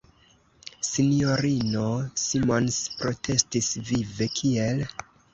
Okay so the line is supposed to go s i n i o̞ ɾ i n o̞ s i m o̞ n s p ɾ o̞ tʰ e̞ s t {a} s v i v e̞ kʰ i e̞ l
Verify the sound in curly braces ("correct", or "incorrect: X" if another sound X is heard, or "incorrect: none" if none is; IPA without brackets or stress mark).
incorrect: i